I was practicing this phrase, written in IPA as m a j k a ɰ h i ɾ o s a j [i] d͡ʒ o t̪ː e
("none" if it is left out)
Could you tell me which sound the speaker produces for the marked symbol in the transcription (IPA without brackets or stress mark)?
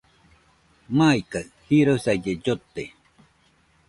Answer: e